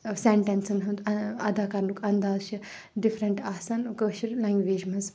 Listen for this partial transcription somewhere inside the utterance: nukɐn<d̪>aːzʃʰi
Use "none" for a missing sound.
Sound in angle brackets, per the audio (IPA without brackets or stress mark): d̪